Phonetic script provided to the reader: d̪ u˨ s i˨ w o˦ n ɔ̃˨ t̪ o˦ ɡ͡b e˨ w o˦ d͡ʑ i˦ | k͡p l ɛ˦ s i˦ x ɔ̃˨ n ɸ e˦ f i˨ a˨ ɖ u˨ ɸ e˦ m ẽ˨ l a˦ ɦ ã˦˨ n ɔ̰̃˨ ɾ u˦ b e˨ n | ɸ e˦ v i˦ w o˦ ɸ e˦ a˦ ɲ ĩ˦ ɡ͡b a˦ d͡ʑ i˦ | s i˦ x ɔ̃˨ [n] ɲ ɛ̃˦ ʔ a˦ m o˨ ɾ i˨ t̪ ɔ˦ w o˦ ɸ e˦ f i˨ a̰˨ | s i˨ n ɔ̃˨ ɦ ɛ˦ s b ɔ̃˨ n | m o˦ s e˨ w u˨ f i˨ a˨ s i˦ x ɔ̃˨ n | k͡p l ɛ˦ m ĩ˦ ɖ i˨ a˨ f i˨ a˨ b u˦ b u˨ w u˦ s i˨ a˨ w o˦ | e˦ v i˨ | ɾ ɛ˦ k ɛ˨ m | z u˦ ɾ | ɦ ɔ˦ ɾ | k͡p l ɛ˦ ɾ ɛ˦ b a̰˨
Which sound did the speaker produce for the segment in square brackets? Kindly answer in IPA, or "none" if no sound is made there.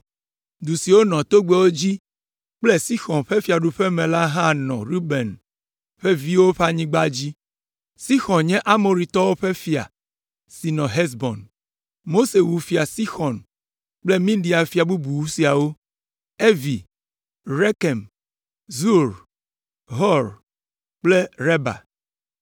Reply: n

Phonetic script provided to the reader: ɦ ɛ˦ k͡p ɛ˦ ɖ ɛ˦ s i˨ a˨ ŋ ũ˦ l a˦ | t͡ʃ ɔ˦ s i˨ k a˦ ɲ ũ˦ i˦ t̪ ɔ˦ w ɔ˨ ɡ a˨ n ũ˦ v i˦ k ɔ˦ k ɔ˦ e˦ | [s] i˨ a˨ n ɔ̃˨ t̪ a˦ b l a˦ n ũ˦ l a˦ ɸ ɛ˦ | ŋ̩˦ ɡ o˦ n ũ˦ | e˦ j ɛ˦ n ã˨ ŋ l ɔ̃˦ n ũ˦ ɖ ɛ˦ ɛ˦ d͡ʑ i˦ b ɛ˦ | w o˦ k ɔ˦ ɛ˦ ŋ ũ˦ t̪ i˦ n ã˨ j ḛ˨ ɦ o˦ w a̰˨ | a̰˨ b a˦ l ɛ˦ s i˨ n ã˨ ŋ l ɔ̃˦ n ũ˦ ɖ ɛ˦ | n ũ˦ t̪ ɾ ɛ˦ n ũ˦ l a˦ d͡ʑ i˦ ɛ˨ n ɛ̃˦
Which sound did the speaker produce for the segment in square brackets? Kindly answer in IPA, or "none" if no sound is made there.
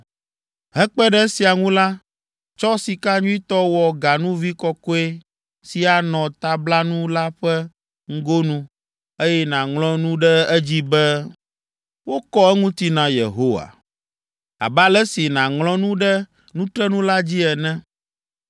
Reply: s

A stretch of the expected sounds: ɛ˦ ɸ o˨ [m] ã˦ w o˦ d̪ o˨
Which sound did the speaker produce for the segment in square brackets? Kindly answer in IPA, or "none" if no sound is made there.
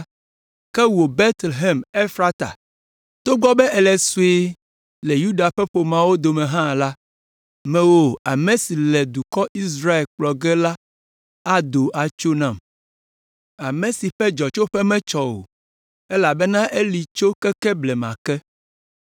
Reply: m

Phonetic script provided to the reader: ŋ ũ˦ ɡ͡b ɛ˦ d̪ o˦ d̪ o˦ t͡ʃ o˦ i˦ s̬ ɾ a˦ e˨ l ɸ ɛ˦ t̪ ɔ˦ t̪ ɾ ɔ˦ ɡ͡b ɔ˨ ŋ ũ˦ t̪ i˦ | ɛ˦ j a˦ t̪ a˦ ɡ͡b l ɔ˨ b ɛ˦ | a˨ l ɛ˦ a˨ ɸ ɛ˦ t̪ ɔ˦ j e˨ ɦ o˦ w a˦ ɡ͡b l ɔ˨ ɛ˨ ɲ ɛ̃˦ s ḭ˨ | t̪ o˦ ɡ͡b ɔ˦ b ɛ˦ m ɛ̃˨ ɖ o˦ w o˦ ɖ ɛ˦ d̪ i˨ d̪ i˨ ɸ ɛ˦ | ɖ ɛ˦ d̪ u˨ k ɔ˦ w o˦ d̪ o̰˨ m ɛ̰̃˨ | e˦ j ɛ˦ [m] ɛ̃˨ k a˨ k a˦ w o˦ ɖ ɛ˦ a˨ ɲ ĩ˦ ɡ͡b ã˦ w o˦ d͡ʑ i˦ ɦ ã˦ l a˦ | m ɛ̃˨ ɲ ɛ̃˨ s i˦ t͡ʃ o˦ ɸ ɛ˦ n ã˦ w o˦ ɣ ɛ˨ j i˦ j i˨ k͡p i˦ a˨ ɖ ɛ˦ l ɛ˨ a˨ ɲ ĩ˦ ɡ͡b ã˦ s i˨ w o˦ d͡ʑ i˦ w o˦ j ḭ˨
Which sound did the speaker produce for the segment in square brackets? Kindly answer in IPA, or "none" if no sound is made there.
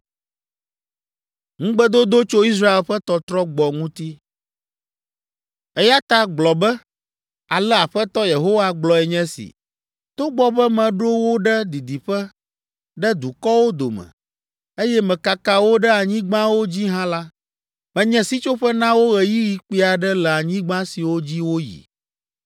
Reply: m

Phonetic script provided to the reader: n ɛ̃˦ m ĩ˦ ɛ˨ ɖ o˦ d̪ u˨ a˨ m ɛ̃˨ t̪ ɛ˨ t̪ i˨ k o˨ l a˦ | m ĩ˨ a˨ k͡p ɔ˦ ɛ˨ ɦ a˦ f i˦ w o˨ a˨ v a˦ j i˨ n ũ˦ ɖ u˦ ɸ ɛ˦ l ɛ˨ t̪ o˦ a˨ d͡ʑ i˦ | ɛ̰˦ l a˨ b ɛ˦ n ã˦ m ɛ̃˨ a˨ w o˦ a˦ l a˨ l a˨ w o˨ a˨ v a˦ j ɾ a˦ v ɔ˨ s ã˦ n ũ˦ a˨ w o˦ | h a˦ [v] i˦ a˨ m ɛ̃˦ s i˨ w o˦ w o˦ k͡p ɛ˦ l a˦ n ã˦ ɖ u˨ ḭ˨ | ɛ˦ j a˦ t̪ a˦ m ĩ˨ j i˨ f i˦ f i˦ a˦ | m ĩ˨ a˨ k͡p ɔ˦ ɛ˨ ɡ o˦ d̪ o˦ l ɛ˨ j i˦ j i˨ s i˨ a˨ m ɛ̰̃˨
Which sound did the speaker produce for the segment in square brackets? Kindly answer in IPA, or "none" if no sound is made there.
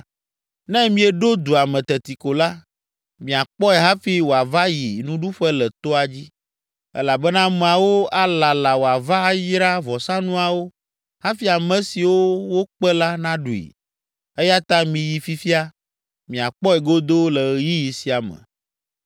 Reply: f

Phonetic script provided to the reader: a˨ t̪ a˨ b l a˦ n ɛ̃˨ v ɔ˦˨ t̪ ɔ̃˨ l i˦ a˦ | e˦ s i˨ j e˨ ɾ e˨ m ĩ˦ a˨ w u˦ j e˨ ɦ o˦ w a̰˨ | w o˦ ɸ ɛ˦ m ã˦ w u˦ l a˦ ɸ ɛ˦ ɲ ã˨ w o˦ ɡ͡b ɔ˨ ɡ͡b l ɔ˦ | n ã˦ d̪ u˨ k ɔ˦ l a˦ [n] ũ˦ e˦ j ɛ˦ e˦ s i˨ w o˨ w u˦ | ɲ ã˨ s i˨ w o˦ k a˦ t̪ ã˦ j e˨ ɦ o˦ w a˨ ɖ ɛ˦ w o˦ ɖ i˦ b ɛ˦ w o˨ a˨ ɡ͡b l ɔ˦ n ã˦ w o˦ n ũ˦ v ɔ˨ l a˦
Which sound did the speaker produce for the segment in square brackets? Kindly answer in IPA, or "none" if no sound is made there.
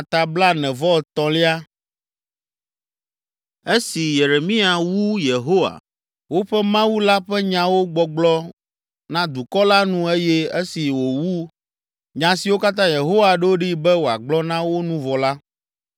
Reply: n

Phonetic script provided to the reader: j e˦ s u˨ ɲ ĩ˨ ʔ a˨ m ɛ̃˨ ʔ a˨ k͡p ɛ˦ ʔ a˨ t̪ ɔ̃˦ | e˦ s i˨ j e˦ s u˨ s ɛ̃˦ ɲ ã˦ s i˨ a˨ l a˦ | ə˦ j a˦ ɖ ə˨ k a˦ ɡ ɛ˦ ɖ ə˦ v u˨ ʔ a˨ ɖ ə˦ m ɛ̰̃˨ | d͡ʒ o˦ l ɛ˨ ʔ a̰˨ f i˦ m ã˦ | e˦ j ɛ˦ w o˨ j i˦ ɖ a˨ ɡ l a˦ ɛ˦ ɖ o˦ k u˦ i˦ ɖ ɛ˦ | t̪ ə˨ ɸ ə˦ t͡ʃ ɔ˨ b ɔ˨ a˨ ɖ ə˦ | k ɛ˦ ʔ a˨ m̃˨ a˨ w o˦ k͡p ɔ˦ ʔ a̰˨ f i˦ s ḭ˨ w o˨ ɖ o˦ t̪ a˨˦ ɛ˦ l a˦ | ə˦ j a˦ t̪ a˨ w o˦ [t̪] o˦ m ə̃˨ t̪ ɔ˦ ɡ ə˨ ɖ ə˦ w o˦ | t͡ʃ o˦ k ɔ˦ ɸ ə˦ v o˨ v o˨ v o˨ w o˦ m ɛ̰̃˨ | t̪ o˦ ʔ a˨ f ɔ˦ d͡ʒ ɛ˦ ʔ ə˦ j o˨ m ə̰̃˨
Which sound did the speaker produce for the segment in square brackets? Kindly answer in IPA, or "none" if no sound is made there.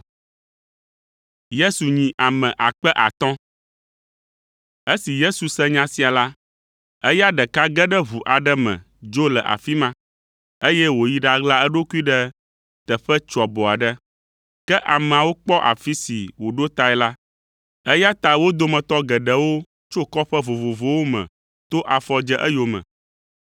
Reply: d̪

